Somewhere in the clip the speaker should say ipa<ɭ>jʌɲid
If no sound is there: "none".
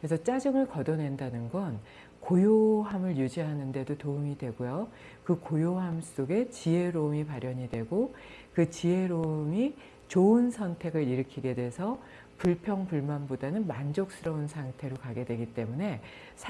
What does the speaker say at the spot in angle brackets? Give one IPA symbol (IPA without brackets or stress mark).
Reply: ɾ